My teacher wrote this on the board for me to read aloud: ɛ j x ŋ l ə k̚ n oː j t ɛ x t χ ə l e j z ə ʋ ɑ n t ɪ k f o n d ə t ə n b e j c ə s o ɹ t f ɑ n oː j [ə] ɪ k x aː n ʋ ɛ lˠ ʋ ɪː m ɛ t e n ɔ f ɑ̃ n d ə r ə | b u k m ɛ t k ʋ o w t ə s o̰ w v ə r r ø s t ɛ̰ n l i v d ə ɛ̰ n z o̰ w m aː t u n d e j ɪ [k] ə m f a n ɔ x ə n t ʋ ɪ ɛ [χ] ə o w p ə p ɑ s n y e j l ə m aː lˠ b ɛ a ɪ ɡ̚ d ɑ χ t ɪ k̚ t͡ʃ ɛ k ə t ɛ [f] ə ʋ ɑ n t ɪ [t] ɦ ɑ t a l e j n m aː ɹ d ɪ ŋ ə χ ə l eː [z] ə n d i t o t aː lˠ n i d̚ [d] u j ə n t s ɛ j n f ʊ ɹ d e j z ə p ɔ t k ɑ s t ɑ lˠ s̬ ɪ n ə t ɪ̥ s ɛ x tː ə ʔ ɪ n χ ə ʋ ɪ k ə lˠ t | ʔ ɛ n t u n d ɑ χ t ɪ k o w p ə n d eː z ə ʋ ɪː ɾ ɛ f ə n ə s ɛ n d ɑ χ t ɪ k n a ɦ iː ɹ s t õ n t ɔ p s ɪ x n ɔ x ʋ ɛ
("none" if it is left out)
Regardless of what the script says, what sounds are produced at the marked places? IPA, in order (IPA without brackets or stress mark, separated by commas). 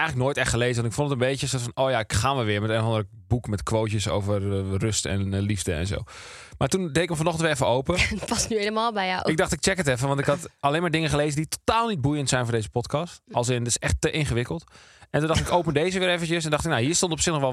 a, k, f, f, k, z, b